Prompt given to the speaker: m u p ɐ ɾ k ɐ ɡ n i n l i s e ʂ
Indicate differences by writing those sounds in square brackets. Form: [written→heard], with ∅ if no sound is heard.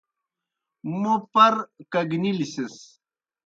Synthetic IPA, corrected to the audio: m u p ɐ ɾ k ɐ ɡ n i [n→∅] l i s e [ʂ→s]